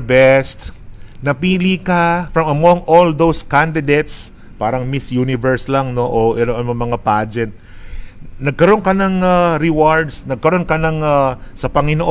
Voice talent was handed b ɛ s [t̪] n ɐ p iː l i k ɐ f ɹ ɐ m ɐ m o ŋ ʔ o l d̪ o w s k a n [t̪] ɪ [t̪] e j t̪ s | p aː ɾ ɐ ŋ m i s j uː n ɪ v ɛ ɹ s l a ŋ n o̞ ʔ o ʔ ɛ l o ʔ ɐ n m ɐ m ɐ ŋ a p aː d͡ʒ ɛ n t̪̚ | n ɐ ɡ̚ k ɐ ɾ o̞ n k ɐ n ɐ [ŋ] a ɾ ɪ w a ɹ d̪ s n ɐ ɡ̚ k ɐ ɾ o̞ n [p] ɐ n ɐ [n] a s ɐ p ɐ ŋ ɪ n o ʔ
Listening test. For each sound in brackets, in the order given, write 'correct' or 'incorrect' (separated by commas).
correct, incorrect, incorrect, correct, incorrect, incorrect